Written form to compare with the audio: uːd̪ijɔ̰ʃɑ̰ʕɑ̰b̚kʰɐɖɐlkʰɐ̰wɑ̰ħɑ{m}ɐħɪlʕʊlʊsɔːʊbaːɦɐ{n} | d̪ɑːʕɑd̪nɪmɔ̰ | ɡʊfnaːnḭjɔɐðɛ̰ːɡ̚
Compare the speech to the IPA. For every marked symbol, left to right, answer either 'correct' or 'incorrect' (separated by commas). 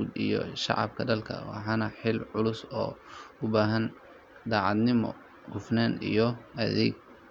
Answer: incorrect, correct